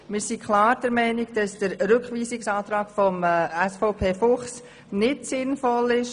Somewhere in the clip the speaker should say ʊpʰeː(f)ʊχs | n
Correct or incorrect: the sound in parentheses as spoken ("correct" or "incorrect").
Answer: correct